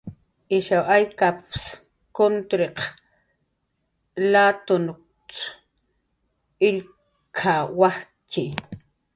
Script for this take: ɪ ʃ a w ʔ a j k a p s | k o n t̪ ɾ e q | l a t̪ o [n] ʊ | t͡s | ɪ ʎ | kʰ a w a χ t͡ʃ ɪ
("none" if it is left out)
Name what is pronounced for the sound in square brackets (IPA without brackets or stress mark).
n